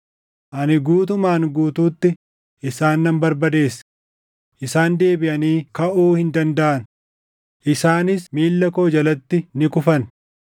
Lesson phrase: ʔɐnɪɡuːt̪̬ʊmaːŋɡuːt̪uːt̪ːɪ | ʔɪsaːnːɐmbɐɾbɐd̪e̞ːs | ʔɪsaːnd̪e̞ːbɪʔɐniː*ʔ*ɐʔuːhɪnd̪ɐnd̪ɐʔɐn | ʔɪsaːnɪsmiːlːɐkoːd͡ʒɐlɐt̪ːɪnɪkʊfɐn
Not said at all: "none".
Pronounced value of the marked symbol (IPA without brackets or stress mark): k